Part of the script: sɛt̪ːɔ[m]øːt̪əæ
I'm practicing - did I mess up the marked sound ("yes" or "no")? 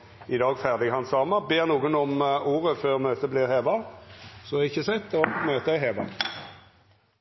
no